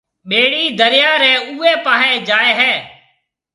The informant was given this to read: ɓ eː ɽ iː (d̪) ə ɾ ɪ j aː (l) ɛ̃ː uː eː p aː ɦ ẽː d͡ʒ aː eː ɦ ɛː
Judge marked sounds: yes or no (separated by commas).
yes, no